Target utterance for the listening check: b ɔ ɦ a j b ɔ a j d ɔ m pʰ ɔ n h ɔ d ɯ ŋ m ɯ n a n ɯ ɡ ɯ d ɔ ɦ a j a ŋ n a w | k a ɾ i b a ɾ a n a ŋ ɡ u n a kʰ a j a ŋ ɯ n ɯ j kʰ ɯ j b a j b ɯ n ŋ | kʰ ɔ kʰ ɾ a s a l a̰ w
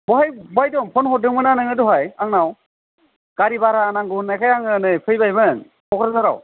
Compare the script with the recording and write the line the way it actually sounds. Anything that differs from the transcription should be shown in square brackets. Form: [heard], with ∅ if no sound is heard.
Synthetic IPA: b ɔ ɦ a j b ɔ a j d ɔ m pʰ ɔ n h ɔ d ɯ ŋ m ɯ n a n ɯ [ŋ] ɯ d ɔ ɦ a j a ŋ n a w | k a ɾ i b a ɾ a n a ŋ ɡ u n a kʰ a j a ŋ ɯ n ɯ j [pʰ] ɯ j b a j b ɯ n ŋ | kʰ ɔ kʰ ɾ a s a [ɾ] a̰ w